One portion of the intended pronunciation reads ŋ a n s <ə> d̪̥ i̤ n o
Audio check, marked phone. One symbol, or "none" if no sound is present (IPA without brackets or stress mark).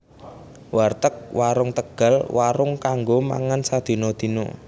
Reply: a